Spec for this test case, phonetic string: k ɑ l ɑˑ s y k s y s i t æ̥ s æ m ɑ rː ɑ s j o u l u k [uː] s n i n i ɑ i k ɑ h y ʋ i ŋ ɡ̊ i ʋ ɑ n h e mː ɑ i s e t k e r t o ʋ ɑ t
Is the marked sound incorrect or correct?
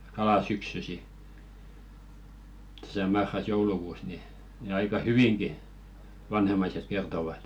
correct